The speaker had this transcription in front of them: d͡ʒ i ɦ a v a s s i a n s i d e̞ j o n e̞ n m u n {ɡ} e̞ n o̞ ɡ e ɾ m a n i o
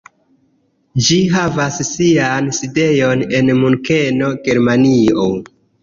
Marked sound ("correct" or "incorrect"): incorrect